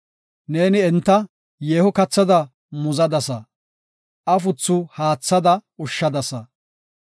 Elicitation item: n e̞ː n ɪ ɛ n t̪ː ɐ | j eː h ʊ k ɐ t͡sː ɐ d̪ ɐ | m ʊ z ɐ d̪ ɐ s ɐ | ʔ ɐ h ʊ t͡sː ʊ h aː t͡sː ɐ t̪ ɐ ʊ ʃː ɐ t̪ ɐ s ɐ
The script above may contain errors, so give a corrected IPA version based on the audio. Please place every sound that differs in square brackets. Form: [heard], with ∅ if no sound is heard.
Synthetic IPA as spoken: n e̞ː n ɪ ɛ n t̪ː ɐ | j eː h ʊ k ɐ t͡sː ɐ d̪ ɐ | m ʊ z ɐ d̪ ɐ s ɐ | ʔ ɐ [f] ʊ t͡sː ʊ h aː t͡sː ɐ [d̪] ɐ ʊ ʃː ɐ [d̪] ɐ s ɐ

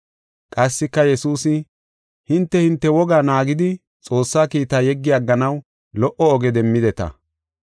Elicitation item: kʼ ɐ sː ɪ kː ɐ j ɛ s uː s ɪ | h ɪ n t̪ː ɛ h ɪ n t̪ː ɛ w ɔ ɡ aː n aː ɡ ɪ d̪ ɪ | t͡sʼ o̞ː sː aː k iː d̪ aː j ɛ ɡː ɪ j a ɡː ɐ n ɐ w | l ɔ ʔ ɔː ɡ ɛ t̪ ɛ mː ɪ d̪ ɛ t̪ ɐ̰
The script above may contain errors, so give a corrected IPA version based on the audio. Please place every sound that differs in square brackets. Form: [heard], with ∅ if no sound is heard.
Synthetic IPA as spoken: kʼ ɐ sː ɪ kː ɐ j ɛ s uː s ɪ | h ɪ n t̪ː ɛ h ɪ n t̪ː ɛ w ɔ ɡ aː n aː ɡ ɪ d̪ ɪ | t͡sʼ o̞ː sː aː k iː [t̪] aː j ɛ ɡː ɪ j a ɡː ɐ n ɐ w | l ɔ ʔ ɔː ɡ ɛ [d̪] ɛ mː ɪ d̪ ɛ t̪ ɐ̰

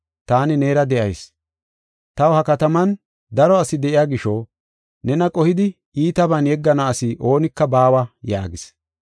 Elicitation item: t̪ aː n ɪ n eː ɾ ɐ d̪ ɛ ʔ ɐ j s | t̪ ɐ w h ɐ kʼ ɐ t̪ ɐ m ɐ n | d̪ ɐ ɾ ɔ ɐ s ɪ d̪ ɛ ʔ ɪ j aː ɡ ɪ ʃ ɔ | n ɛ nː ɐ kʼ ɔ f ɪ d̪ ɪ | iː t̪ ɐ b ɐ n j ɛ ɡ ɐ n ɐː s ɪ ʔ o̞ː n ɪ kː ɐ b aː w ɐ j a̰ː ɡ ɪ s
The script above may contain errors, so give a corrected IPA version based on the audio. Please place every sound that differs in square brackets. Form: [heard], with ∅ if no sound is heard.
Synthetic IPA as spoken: t̪ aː n ɪ n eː ɾ ɐ d̪ ɛ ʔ ɐ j s | t̪ ɐ w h ɐ [k] ɐ t̪ ɐ m ɐ n | d̪ ɐ ɾ ɔ ɐ s ɪ d̪ ɛ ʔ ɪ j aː ɡ ɪ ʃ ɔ | n ɛ [n] ɐ kʼ ɔ [h] ɪ d̪ ɪ | iː t̪ ɐ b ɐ n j ɛ [ɡː] ɐ n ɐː s ɪ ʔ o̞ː n ɪ kː ɐ b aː w ɐ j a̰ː ɡ ɪ s

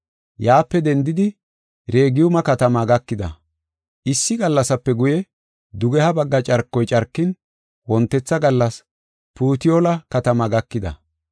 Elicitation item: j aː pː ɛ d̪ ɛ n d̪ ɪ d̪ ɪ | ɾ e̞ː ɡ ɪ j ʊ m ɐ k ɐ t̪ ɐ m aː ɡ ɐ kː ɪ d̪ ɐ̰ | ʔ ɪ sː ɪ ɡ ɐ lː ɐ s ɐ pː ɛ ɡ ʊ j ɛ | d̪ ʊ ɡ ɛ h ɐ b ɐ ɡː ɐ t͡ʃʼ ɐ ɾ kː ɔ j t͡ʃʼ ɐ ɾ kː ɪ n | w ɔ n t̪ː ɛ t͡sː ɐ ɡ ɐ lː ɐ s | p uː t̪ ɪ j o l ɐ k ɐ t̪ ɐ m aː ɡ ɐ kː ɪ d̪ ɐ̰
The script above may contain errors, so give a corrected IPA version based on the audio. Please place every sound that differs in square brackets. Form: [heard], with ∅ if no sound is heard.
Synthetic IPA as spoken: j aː pː ɛ d̪ ɛ n d̪ ɪ d̪ ɪ | ɾ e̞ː ɡ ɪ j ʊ m ɐ k ɐ t̪ ɐ m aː ɡ ɐ kː ɪ d̪ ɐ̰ | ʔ ɪ sː ɪ ɡ ɐ lː ɐ s ɐ pː ɛ ɡ ʊ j ɛ | d̪ ʊ ɡ ɛ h ɐ b ɐ ɡː ɐ t͡ʃʼ ɐ ɾ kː ɔ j t͡ʃʼ ɐ ɾ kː ɪ n | w ɔ n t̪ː ɛ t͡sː ɐ ɡ ɐ lː ɐ s | p uː t̪ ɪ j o l ɐ k ɐ t̪ ɐ m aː ɡ ɐ kː ɪ d̪ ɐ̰

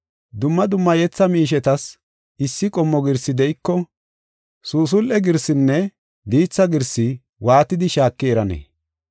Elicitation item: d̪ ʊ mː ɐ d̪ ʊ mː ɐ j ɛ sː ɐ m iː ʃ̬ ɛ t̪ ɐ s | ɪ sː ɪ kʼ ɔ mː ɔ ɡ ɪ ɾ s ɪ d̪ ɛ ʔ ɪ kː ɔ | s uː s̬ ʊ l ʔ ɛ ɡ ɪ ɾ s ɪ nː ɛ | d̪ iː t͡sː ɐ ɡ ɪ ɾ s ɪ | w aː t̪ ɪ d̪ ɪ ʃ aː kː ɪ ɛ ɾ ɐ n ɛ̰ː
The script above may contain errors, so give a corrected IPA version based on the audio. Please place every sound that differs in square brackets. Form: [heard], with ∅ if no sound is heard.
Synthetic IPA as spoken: d̪ ʊ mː ɐ d̪ ʊ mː ɐ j ɛ [t͡sː] ɐ m iː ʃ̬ ɛ t̪ ɐ s | ɪ sː ɪ kʼ ɔ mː ɔ ɡ ɪ ɾ s ɪ d̪ ɛ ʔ ɪ kː ɔ | s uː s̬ ʊ l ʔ ɛ ɡ ɪ ɾ s ɪ nː ɛ | d̪ iː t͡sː ɐ ɡ ɪ ɾ s ɪ | w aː t̪ ɪ d̪ ɪ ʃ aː kː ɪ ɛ ɾ ɐ n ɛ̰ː

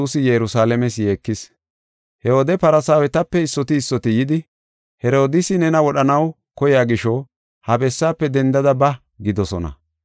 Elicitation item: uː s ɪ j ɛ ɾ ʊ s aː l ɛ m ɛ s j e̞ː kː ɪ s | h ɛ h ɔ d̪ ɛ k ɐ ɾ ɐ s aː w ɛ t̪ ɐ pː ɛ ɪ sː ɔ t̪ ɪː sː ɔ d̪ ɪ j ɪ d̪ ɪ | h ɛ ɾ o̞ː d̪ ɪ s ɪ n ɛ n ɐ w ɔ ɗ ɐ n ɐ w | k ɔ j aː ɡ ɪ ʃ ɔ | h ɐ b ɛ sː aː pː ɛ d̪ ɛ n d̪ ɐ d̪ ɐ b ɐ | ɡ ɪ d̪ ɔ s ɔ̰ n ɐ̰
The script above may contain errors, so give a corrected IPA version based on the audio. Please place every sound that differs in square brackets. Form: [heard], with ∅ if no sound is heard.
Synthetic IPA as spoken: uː s ɪ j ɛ ɾ ʊ s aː l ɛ m ɛ s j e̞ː kː ɪ s | h ɛ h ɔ d̪ ɛ [p] ɐ ɾ ɐ s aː w ɛ t̪ ɐ pː ɛ ɪ sː ɔ t̪ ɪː sː ɔ [t̪] ɪ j ɪ d̪ ɪ | h ɛ ɾ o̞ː d̪ ɪ s ɪ n ɛ n ɐ w ɔ ɗ ɐ n ɐ w | k ɔ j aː ɡ ɪ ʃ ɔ | h ɐ b ɛ sː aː pː ɛ d̪ ɛ n d̪ ɐ d̪ ɐ b ɐ | ɡ ɪ d̪ ɔ s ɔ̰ n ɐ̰

